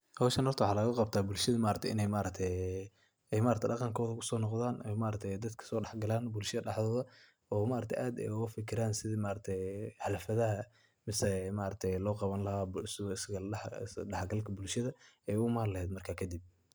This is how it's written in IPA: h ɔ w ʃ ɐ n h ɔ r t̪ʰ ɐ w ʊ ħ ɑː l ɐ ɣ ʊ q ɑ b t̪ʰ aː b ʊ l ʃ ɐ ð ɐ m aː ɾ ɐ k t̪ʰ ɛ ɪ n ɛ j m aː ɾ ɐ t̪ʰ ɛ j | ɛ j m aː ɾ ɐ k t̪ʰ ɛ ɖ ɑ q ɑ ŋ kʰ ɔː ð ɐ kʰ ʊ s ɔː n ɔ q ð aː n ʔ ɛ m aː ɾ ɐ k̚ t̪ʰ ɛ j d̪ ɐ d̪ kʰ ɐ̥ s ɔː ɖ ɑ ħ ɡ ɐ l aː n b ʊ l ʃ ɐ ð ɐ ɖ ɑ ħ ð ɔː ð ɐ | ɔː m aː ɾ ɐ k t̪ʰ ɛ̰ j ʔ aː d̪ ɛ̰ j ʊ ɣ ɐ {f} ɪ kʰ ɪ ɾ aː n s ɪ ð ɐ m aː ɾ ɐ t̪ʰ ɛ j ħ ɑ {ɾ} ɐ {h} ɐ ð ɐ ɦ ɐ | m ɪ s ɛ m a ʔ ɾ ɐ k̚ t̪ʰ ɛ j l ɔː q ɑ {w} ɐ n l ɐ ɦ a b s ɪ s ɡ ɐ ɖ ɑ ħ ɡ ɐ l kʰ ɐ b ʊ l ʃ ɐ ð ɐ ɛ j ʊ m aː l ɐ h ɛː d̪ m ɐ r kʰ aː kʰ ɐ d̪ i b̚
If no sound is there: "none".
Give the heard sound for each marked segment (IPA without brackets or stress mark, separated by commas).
f, l, f, β